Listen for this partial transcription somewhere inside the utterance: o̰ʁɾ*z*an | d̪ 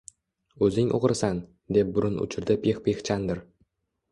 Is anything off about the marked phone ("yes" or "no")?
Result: yes